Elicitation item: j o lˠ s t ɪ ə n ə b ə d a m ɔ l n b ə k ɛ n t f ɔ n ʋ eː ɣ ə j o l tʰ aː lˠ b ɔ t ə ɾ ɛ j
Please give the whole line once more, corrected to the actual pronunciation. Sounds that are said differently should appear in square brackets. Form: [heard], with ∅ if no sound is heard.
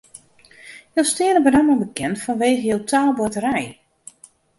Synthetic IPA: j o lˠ s t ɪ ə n ə b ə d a m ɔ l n b ə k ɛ n t f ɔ n ʋ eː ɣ ə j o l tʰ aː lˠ b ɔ t ə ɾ ɛ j